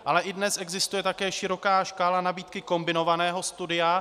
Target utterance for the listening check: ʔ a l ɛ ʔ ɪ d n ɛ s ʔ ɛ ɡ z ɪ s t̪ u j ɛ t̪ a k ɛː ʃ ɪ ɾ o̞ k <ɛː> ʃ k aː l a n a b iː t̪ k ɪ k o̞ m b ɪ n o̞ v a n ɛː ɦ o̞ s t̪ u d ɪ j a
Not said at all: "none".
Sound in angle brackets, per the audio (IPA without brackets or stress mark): aː